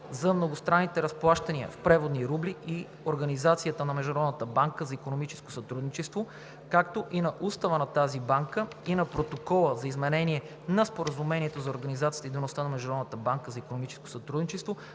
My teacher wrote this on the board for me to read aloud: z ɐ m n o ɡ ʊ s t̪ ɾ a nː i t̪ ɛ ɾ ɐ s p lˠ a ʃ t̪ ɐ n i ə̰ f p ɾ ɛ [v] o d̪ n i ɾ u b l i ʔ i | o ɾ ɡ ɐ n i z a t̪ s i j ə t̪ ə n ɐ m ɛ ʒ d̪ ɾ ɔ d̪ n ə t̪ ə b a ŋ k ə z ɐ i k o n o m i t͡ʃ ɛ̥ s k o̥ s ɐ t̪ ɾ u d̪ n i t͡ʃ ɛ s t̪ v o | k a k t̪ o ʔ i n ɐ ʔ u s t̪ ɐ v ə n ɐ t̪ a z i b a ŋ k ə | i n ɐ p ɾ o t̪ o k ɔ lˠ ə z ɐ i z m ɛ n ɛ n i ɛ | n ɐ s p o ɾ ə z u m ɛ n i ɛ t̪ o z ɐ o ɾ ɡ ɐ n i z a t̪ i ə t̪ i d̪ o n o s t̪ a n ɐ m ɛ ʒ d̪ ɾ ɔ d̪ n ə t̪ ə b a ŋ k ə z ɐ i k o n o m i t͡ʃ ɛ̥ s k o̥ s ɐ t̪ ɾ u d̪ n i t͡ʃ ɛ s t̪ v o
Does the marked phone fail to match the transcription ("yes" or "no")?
no